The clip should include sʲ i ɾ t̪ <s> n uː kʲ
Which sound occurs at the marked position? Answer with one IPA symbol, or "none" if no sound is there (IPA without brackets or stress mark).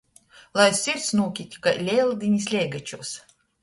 s